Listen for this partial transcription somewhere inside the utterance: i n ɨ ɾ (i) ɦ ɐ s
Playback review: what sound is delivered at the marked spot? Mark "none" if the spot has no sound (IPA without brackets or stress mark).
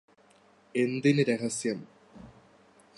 e